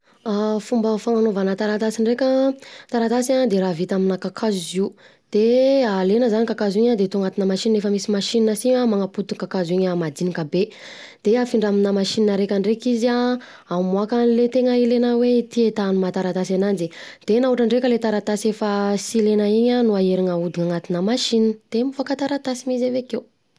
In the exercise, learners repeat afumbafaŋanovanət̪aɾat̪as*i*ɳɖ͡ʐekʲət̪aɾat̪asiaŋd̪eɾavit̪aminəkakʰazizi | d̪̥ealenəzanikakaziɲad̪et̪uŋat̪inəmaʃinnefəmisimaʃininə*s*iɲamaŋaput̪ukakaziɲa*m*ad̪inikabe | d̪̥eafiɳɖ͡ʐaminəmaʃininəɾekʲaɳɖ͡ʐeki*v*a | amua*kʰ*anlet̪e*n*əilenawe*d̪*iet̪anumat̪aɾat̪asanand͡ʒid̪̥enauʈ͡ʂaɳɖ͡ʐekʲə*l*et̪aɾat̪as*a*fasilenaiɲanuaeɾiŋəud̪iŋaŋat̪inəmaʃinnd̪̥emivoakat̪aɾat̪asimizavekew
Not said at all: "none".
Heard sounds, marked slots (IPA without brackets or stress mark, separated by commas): i, s, m, z, k, ŋ, t̪, l, e